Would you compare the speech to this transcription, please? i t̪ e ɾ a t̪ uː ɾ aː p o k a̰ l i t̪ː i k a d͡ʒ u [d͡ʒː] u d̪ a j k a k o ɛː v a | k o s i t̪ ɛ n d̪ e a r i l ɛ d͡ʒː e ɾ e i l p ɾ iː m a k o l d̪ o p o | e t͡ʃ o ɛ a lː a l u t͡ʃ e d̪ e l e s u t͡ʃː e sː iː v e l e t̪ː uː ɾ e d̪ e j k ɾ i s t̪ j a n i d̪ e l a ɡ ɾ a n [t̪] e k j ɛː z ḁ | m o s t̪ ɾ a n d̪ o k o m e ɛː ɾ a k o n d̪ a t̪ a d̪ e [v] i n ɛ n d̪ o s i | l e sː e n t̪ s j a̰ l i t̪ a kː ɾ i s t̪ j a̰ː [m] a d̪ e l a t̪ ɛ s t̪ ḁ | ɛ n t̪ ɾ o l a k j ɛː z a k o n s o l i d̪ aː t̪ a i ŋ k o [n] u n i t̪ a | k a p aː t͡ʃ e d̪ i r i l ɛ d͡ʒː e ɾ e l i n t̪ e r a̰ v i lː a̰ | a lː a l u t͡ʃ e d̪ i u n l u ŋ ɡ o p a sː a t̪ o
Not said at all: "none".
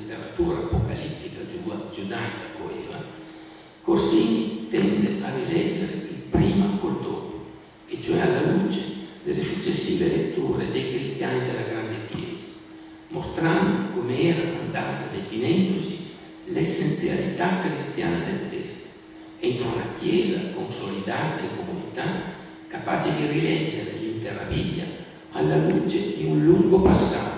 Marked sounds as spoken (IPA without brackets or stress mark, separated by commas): d͡ʒ, d̪, f, n, m